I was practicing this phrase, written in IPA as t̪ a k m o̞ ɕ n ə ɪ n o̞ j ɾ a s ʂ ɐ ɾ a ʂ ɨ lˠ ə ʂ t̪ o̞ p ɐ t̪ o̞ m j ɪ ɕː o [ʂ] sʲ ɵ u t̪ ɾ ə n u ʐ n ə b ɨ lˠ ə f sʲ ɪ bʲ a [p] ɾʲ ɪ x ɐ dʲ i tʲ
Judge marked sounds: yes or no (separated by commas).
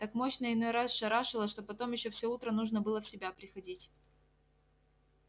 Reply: no, yes